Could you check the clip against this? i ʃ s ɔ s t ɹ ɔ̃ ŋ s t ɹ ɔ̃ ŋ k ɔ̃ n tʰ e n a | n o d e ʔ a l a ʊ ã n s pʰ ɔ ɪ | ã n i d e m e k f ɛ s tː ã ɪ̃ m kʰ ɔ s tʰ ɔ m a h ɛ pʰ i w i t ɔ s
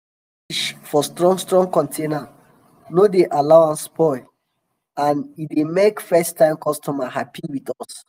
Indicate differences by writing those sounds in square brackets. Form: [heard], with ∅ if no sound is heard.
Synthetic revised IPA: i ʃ [f] ɔ s t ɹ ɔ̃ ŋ s t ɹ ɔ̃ ŋ k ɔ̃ n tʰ e n a | n o d e ʔ a l a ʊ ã n s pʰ ɔ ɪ | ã n i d e m e k f ɛ s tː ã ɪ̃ m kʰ ɔ s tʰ ɔ m a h [a] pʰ i w i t ɔ s